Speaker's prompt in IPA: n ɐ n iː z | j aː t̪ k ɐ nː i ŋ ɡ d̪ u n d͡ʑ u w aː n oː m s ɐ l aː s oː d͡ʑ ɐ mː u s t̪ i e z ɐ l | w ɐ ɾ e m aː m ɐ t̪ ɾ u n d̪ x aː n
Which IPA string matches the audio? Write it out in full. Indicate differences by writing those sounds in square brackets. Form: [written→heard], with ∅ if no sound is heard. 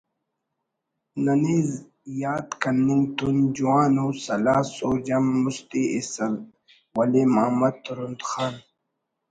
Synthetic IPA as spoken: n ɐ n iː z | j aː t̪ k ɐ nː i ŋ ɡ [d̪→t̪] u n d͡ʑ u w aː n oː [m→∅] s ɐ l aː s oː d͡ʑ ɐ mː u s t̪ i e [z→s] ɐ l | w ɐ [ɾ→l] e m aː m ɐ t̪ ɾ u n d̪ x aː n